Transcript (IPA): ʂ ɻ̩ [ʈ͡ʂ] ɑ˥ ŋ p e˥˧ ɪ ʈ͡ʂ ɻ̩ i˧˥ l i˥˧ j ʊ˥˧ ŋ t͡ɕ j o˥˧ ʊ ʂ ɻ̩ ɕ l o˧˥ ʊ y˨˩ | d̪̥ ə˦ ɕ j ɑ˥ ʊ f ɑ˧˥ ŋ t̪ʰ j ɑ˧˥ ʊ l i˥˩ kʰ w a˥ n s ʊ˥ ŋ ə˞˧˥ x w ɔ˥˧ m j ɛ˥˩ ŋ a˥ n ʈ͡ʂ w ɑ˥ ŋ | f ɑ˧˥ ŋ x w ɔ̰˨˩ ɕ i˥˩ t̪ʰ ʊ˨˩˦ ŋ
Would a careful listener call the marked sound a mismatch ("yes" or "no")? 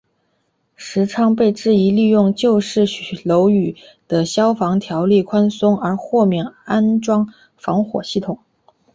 yes